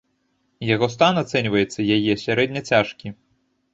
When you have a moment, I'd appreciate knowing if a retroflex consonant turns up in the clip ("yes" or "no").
yes